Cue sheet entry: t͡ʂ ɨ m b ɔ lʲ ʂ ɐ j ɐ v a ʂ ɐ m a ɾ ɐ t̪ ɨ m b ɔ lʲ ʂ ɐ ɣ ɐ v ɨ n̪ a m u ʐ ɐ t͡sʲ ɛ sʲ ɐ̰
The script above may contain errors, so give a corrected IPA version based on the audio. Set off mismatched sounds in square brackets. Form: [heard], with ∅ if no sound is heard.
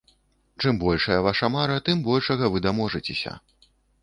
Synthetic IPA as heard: t͡ʂ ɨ m b ɔ lʲ ʂ ɐ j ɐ v a ʂ ɐ m a ɾ ɐ t̪ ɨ m b ɔ lʲ ʂ ɐ ɣ ɐ v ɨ [d̪] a m [ɔ] ʐ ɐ t͡sʲ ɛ sʲ ɐ̰